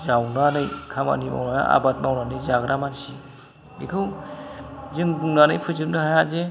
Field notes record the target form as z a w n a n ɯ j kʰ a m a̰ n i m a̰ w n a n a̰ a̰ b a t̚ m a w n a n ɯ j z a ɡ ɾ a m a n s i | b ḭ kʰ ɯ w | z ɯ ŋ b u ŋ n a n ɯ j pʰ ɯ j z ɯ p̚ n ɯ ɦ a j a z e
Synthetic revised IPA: z a w n a n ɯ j kʰ a m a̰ n i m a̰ w n a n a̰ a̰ b a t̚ m a w n a n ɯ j z a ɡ ɾ a m a n s i | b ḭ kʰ ɯ w | z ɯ ŋ b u ŋ n a n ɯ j pʰ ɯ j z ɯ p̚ n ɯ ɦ a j a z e

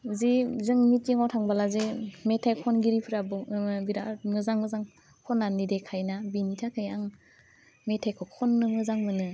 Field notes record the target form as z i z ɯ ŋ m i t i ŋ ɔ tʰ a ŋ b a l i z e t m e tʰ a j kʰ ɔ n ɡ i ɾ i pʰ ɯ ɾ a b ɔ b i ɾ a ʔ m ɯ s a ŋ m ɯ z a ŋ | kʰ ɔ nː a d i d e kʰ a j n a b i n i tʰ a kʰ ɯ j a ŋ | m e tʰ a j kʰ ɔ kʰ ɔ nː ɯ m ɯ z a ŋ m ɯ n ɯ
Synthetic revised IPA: z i z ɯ ŋ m i t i ŋ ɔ tʰ a ŋ b a l a z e m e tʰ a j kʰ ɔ n ɡ i ɾ i pʰ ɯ ɾ a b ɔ b i ɾ a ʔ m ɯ z a ŋ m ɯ z a ŋ | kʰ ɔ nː a n i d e kʰ a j n a b i n i tʰ a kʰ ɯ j a ŋ | m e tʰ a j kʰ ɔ kʰ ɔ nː ɯ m ɯ z a ŋ m ɯ n ɯ

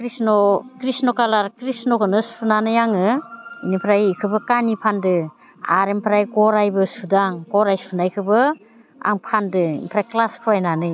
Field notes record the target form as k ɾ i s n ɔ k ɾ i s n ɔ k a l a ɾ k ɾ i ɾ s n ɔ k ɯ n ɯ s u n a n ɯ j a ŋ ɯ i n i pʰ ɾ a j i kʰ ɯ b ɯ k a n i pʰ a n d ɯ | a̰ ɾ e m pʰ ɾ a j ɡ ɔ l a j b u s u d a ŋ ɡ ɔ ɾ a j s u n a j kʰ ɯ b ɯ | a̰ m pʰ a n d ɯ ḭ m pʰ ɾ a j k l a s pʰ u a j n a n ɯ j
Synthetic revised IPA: k ɾ i s n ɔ k ɾ i s n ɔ k a l a ɾ k ɾ i s n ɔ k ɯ n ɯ s u n a n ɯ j a ŋ ɯ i n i pʰ ɾ a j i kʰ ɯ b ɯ k a n i pʰ a n d ɯ | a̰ ɾ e m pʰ ɾ a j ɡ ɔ ɾ a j b ɯ s u d a ŋ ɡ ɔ ɾ a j s u n a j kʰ ɯ b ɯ | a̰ ŋ pʰ a n d ɯ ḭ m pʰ ɾ a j k l a s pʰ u a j n a n ɯ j

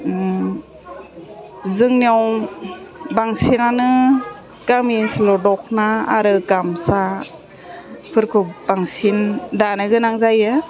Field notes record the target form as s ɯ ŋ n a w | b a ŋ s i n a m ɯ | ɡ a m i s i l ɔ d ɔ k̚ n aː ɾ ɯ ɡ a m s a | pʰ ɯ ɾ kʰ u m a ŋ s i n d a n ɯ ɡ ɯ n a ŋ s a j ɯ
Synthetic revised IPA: z ɯ ŋ n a w | b a ŋ s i n a n ɯ | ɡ a m i s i l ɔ d ɔ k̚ n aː ɾ ɯ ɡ a m s a | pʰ ɯ ɾ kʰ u b a ŋ s i n d a n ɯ ɡ ɯ n a ŋ z a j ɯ

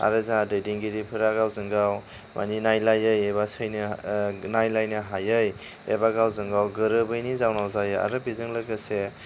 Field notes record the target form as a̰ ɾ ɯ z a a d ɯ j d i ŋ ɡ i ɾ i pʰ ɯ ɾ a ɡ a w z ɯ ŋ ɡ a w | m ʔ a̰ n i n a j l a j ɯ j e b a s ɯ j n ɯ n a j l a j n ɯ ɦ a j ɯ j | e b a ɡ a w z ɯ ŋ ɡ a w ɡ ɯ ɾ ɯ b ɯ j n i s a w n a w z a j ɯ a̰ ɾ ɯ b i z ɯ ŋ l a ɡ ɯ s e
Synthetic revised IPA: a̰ ɾ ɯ z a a d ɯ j d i ŋ ɡ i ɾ i pʰ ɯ ɾ a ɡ a w z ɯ ŋ ɡ a w | m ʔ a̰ n i n a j l a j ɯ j e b a s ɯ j n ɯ n a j l a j n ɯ ɦ a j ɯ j | e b a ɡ a w z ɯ ŋ ɡ a w ɡ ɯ ɾ ɯ b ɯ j n i z a w n a w z a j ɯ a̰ ɾ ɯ b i z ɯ ŋ l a ɡ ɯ s e

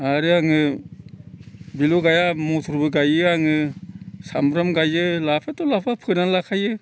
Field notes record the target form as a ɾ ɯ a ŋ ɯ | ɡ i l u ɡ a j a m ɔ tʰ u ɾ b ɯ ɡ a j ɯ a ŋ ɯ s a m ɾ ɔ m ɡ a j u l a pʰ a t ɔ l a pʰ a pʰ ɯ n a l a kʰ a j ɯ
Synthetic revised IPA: a ɾ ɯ a ŋ ɯ | b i l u ɡ a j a m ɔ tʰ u ɾ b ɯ ɡ a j ɯ a ŋ ɯ s a m ɾ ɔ m ɡ a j ɯ l a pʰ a t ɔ l a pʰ a pʰ ɯ n a l a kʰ a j ɯ

